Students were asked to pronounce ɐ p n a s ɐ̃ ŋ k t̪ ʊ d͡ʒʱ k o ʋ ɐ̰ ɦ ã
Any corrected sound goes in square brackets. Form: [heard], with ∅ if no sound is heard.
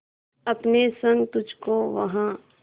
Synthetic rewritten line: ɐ p n [e] s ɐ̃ ŋ [ɡ] t̪ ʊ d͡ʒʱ k o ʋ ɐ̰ ɦ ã